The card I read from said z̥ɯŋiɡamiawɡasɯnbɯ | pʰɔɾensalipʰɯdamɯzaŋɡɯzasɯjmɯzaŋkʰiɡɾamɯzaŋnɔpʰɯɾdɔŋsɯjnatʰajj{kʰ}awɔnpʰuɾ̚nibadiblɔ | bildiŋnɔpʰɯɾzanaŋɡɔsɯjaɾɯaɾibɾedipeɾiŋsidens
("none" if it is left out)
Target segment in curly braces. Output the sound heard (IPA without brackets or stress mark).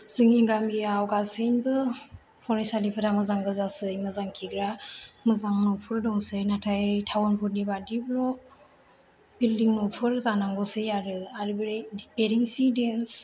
tʰ